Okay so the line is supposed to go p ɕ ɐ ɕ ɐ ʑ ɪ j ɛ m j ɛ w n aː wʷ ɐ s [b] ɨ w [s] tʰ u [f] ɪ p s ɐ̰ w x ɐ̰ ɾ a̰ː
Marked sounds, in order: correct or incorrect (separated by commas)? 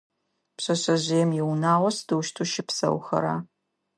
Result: incorrect, incorrect, incorrect